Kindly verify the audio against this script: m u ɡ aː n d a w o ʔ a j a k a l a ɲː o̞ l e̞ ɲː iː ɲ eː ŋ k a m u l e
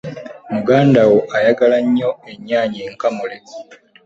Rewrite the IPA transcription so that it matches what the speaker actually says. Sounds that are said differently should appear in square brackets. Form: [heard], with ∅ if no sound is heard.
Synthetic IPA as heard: m u ɡ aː n d a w o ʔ a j a [ɡ] a l a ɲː o̞ [∅] e̞ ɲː [aː] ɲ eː ŋ k a m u l e